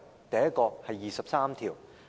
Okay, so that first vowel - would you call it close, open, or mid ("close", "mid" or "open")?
open